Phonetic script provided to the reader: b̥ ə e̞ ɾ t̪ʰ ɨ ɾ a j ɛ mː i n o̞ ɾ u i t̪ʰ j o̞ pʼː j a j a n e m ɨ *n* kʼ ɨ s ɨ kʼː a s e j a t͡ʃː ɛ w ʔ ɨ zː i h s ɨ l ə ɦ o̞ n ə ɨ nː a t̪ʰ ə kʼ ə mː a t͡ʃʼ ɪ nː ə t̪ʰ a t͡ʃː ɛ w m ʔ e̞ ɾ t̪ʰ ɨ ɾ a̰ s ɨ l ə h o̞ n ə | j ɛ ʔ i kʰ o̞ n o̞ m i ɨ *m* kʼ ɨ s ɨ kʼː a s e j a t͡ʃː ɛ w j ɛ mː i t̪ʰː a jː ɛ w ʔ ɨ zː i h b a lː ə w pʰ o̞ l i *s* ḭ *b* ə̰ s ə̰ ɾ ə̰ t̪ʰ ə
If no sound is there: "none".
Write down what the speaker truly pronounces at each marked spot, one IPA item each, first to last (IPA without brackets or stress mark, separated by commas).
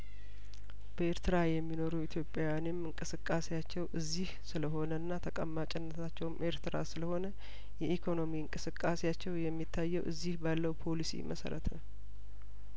ŋ, ŋ, s, m